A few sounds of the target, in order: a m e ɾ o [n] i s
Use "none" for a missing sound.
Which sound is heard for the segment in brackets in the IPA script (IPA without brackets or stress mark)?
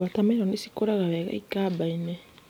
n